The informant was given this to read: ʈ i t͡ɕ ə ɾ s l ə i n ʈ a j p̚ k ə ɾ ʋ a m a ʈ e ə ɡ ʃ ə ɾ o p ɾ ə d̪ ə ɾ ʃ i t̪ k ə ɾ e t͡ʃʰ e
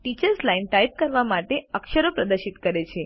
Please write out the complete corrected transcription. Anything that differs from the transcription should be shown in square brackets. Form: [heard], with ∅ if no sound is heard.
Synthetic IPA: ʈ i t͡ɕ ə ɾ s l [a] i n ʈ a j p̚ k ə ɾ ʋ a m a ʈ e ə [k] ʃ ə ɾ o p ɾ ə d̪ ə ɾ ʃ i t̪ k ə ɾ e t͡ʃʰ e